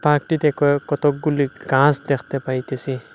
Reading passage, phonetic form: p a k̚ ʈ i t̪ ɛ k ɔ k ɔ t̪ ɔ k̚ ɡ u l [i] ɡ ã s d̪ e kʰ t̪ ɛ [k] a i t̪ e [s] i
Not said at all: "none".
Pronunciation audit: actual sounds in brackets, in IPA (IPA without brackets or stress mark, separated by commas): i, p, s